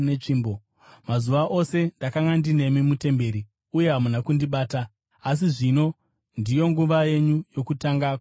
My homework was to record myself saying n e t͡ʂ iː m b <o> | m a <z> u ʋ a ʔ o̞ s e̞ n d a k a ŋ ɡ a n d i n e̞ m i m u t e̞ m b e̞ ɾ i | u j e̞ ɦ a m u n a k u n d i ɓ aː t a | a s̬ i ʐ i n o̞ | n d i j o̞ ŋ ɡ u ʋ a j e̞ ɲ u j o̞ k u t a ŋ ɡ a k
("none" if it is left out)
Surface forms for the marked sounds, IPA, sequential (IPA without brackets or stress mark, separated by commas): o, z